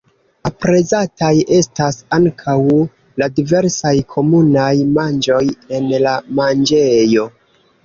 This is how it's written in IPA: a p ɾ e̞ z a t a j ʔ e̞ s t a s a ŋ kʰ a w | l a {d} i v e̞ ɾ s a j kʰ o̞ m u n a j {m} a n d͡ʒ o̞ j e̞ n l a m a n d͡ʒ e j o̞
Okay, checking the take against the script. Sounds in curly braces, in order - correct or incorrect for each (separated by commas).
correct, correct